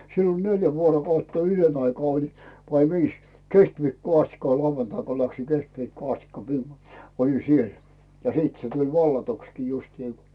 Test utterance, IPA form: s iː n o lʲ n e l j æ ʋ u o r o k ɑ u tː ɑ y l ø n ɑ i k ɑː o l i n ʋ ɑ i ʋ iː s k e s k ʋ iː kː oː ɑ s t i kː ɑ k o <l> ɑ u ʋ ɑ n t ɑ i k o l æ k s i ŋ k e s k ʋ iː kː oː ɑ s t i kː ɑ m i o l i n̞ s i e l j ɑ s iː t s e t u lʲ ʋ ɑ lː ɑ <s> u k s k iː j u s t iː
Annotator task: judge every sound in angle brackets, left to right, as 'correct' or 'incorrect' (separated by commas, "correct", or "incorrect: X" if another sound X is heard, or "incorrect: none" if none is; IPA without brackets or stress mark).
correct, incorrect: t